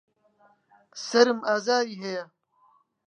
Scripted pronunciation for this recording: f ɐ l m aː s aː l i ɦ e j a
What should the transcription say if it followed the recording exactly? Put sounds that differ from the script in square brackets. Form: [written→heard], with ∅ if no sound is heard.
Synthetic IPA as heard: [f→s] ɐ [l→ɾ] m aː [s→z] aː [l→ɾ] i ɦ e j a